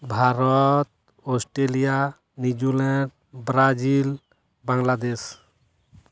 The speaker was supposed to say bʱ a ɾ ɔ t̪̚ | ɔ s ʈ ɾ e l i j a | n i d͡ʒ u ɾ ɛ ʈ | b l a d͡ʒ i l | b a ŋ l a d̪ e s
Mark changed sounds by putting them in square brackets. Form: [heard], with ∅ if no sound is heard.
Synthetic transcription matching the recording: bʱ a ɾ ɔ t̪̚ | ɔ s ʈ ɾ e l i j a | n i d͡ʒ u [l] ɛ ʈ | b [ɾ] a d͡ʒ i l | b a ŋ l a d̪ e s